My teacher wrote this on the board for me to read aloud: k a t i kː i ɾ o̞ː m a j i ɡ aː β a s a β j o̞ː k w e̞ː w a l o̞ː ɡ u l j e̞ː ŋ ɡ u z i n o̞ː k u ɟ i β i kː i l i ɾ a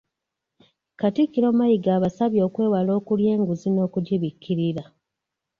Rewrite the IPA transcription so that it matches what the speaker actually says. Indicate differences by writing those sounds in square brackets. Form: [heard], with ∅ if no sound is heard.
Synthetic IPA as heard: k a t i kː i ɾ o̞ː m a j i ɡ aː β a s a β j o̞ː k w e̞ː w a l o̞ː [k] u l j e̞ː ŋ ɡ u z i n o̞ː k u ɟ i β i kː i [ɾ] i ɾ a

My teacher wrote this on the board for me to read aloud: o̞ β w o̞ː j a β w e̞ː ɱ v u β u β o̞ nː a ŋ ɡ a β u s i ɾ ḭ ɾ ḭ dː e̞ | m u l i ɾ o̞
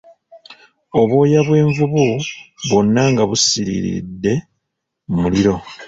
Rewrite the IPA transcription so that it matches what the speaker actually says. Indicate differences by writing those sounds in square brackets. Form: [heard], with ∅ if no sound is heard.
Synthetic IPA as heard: o̞ β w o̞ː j a β w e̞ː ɱ v u β u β o̞ nː a ŋ ɡ a β u s i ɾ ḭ ɾ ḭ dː e̞ | m u l i ɾ o̞

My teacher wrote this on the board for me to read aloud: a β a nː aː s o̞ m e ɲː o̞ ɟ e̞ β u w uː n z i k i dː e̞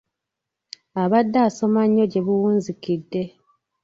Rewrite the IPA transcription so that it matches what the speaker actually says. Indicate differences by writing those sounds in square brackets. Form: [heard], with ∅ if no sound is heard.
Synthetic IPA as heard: a β a [dː] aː s o̞ m [a] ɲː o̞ ɟ e̞ β u w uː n z i k i dː e̞

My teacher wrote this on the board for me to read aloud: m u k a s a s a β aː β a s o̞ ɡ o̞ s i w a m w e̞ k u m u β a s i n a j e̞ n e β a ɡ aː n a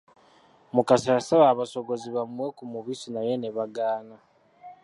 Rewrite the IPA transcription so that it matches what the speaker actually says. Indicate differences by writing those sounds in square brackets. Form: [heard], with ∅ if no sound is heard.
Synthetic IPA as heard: m u k a s a s a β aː β a s o̞ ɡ o̞ [z] i [β] a m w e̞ k u m u β [i] s i n a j e̞ n e β a ɡ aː n a

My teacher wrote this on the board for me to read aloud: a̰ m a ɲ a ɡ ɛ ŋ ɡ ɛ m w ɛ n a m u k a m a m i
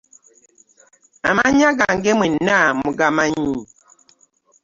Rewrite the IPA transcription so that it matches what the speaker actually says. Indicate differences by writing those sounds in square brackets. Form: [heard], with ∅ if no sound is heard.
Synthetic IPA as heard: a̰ m a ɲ a ɡ [a] ŋ ɡ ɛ m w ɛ n a m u [ɡ] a m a [ɲ] i

